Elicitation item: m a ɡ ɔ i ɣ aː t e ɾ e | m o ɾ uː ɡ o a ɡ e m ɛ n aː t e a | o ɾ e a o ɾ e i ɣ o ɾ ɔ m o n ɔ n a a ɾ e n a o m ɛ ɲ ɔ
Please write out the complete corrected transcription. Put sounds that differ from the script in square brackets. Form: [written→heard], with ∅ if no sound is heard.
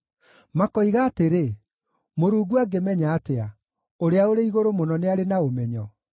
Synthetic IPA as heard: m a [ɡ→k] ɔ i ɣ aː t e ɾ e | m o ɾ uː ɡ [o→u] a ɡ e m ɛ [n→ɲ] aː t e a | o ɾ e a o ɾ e i ɣ o ɾ [ɔ→o] m o n ɔ n [a→e] a ɾ e n a o m ɛ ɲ ɔ